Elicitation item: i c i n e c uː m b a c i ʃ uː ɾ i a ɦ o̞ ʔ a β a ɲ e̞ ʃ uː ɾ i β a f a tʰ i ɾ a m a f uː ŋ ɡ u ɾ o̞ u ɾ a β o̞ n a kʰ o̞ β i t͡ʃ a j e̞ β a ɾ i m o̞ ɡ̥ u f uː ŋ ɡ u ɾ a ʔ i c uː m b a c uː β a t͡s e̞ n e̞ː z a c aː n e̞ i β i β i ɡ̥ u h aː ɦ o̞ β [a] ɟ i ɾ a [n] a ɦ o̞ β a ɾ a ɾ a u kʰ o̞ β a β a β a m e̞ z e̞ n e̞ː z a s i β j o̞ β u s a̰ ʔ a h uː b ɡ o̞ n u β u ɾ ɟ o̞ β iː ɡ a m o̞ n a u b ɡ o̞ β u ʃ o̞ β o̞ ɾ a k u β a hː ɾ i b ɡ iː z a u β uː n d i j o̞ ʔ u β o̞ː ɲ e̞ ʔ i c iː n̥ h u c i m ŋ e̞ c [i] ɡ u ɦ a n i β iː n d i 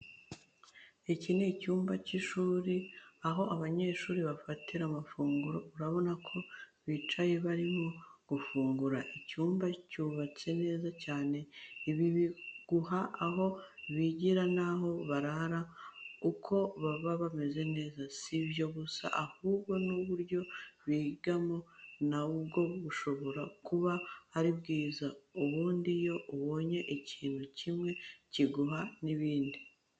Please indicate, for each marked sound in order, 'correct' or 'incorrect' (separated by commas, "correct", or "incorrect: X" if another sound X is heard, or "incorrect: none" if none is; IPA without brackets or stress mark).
incorrect: i, correct, correct